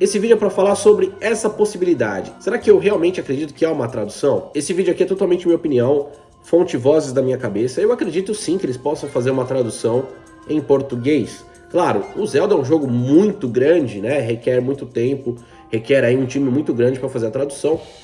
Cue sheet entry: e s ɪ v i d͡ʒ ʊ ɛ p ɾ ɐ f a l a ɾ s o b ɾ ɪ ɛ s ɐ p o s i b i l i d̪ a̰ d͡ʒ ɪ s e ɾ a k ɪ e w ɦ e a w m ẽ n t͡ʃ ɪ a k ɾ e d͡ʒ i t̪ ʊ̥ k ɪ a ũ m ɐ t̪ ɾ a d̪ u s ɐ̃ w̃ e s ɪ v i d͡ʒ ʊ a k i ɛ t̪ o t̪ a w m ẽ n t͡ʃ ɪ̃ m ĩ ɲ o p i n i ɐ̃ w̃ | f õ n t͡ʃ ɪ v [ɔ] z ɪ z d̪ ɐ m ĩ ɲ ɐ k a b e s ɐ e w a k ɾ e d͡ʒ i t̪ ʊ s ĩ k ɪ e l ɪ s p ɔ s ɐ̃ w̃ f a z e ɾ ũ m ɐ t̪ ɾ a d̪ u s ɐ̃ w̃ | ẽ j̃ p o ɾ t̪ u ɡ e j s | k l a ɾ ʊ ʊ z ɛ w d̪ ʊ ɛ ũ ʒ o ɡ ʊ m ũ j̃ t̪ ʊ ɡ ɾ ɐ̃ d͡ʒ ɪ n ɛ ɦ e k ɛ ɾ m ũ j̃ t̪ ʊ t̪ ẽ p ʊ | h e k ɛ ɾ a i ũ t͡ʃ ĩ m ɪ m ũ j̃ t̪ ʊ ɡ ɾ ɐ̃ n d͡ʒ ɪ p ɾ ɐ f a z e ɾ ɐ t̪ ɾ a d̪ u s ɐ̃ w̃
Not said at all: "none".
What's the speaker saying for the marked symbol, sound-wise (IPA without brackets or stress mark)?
ɔ